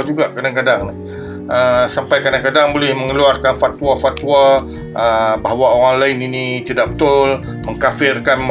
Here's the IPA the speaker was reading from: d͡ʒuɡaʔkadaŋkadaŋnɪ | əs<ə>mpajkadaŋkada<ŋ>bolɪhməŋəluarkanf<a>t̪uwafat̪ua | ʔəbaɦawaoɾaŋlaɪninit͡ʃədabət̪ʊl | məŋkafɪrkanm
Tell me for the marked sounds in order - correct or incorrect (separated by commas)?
incorrect, correct, correct